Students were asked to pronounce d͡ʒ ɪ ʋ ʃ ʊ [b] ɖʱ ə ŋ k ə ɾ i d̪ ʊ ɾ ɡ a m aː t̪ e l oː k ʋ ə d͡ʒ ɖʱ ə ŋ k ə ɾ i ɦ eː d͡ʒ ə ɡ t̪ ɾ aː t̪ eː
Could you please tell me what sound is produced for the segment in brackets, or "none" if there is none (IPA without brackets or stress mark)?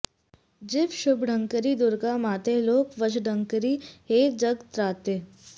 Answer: b